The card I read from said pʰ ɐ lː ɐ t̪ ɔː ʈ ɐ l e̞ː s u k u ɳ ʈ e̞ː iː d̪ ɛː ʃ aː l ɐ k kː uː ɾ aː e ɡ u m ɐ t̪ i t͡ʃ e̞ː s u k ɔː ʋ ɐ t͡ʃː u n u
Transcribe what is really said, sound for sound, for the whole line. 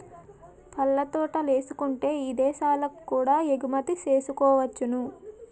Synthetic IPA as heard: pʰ ɐ lː ɐ t̪ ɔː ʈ ɐ l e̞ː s u k u ɳ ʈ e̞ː iː d̪ ɛː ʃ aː l ɐ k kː uː ɽ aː e ɡ u m ɐ t̪ i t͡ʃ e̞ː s u k ɔː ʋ ɐ t͡ʃː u n u